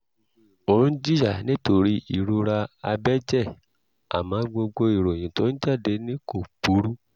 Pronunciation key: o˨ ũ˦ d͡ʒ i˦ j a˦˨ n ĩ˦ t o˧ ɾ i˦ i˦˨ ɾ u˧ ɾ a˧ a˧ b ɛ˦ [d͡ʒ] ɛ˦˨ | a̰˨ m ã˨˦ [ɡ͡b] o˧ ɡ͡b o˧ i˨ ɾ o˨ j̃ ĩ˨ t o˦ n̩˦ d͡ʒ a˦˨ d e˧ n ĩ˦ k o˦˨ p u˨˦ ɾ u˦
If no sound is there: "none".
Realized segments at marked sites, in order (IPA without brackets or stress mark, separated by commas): d͡ʒ, ɡ͡b